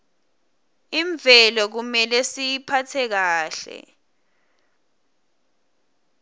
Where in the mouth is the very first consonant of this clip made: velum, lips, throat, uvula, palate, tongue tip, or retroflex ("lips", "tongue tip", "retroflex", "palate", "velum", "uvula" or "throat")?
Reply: lips